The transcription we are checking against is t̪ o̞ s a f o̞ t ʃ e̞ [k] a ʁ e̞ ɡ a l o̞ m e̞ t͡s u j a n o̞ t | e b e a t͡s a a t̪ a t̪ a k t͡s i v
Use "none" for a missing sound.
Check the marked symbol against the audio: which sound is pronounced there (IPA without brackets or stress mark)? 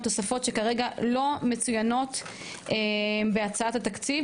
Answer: k